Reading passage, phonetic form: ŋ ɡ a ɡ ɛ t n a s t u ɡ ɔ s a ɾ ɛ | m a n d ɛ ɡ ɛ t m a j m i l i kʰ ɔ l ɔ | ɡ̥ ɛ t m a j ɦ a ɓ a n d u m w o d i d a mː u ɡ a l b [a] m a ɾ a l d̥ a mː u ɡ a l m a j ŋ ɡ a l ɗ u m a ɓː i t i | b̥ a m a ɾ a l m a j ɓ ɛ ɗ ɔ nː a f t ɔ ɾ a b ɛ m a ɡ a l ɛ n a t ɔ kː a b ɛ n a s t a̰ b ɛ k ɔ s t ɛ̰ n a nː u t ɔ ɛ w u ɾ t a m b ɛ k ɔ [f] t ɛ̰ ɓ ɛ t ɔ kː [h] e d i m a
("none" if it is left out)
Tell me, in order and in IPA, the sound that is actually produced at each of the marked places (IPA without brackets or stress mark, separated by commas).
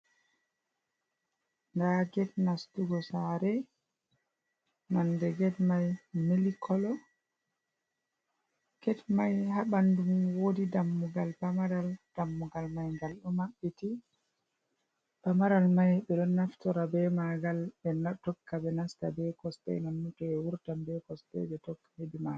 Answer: a, s, h